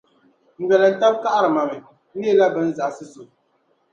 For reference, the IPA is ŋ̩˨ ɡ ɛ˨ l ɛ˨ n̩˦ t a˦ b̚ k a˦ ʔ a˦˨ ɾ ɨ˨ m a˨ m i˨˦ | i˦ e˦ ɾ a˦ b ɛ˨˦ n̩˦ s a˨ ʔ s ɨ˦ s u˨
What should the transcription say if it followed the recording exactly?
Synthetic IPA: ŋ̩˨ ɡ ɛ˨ l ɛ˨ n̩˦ t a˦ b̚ k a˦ ʔ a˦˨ ɾ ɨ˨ m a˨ m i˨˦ | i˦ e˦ l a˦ b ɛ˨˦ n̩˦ z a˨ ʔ s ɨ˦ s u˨

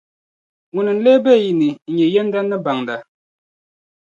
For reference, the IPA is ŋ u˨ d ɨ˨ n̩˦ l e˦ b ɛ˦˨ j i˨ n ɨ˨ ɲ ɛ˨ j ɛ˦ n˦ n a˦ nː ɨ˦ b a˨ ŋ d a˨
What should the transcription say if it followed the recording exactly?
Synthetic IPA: ŋ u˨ n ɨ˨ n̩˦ l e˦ b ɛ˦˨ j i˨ n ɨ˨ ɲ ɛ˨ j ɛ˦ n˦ d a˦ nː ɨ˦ b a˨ ŋ d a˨

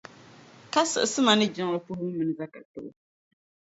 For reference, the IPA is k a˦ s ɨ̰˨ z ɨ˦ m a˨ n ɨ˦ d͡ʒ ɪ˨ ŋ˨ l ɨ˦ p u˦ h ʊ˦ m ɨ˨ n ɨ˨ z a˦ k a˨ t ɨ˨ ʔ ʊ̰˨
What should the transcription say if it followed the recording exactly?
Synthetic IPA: k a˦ s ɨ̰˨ s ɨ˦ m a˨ n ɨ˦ d͡ʒ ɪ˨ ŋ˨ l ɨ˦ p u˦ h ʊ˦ m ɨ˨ n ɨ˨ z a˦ k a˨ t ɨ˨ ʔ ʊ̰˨

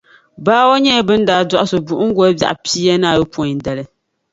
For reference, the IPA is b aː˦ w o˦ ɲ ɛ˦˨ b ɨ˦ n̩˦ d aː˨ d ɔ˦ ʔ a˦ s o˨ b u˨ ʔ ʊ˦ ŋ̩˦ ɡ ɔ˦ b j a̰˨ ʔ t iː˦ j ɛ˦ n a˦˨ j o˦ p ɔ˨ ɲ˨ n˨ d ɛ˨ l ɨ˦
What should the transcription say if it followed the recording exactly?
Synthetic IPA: b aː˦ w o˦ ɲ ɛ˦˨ b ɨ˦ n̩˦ d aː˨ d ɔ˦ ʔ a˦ s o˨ b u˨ ʔ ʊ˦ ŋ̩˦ ɡ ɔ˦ b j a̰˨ ʔ p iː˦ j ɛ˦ n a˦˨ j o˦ p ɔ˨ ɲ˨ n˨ d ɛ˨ l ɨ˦

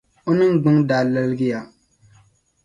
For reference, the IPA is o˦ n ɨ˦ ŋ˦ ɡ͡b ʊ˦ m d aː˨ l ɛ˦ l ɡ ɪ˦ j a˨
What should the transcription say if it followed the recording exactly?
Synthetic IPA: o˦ n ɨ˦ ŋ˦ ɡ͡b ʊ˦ ŋ d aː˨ l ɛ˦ l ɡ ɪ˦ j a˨

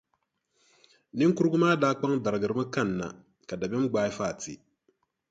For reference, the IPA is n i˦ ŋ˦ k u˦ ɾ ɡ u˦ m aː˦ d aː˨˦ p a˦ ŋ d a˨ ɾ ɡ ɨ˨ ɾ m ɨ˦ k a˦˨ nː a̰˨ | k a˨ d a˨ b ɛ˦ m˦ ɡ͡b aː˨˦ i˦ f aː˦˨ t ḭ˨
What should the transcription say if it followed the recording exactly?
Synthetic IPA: n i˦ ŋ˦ k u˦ ɾ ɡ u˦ m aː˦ d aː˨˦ k͡p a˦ ŋ d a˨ ɾ ɡ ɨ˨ ɾ m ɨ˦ k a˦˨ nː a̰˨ | k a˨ d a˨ b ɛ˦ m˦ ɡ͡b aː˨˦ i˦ f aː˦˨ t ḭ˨

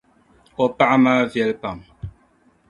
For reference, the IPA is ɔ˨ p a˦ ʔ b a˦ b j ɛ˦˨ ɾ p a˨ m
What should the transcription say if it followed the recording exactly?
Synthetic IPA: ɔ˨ p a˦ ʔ m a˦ v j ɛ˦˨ l p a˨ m

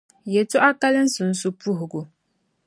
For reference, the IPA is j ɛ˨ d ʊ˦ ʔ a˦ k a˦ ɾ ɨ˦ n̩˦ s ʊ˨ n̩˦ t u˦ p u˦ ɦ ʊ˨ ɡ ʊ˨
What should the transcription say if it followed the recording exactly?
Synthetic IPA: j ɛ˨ t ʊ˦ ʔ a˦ k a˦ l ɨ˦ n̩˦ s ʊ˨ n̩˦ s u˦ p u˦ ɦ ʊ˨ ɡ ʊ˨

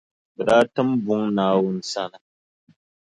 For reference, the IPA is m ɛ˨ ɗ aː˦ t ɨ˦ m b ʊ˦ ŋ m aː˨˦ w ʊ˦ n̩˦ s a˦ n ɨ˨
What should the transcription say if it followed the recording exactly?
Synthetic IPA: b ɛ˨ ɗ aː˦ t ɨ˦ m b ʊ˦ ŋ n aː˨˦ w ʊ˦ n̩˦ s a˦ n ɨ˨

